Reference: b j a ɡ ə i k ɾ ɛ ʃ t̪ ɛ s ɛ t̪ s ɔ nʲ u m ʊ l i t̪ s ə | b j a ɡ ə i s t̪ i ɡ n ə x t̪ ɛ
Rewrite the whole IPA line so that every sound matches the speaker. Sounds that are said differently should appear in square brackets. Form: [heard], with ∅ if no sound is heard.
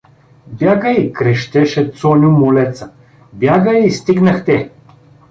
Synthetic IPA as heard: b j a ɡ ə i k ɾ ɛ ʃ t̪ ɛ [ʃ] ɛ t̪ s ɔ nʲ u m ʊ l [ɛ] t̪ s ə | b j a ɡ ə i s t̪ i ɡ n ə x t̪ ɛ